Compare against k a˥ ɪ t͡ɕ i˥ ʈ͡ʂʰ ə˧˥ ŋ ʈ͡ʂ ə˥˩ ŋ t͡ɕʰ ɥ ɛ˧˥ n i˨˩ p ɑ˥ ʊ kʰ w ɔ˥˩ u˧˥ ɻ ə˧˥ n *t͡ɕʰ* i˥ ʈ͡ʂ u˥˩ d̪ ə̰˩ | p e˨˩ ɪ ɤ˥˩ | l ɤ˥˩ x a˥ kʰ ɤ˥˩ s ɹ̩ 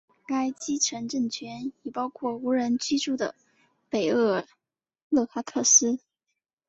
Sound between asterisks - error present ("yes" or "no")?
yes